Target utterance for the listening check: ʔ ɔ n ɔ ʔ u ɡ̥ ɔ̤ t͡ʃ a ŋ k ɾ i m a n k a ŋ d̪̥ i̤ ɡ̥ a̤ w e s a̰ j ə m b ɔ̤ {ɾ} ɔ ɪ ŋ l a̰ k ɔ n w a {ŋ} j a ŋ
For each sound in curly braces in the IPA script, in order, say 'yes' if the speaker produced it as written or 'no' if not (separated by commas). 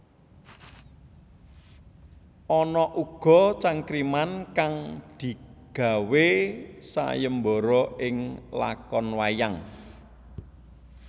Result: yes, no